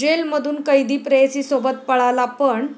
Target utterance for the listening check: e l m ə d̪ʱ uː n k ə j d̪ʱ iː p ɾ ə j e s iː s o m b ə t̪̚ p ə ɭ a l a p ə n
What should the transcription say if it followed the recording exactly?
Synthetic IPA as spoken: e l m ə d̪ʱ uː n k ə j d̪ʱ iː p ɾ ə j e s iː s o b ə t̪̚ p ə ɭ a l a p ə ɳ